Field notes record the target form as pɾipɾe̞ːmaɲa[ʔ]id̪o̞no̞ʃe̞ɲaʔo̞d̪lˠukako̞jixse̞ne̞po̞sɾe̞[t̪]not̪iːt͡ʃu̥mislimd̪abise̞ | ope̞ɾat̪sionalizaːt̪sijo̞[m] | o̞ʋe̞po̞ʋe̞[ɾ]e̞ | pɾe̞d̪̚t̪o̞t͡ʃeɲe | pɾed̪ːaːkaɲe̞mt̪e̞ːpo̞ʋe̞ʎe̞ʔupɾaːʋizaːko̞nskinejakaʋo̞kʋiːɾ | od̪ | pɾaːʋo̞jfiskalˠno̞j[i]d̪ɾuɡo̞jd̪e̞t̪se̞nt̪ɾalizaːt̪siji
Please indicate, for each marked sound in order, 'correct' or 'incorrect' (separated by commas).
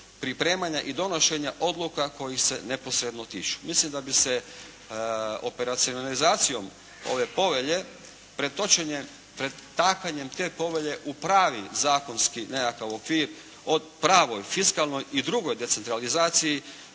correct, incorrect, correct, incorrect, correct